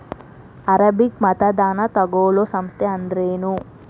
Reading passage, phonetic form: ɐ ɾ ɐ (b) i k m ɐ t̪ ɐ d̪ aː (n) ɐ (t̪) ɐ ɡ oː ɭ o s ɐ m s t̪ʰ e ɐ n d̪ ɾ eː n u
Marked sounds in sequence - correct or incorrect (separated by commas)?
correct, correct, correct